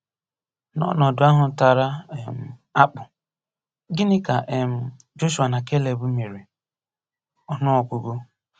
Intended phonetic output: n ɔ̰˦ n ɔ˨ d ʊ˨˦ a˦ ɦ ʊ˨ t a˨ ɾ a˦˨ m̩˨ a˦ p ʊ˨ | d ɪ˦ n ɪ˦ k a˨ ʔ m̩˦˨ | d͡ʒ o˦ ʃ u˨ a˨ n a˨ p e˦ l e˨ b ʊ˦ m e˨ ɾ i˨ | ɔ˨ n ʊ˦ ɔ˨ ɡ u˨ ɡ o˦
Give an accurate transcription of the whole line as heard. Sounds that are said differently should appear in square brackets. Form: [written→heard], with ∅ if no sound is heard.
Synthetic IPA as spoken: n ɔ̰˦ n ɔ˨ d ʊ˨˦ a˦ ɦ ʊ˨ t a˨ ɾ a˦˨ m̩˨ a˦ [p→k͡p] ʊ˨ | [d→ɡ] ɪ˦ n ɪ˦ k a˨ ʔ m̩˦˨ | d͡ʒ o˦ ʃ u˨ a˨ n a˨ [p→k] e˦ l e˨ b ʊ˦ m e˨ ɾ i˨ | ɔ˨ n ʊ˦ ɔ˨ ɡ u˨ ɡ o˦